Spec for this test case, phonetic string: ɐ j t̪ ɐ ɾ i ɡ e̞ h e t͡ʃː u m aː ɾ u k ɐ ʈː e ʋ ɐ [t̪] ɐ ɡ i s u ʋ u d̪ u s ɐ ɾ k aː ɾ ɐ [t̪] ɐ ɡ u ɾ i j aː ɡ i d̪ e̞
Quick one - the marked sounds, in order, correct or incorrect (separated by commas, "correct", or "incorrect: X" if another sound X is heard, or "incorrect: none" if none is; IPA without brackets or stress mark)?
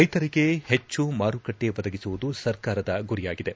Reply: incorrect: d̪, incorrect: d̪